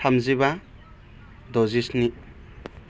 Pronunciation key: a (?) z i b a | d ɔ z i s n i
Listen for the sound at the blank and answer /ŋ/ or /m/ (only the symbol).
m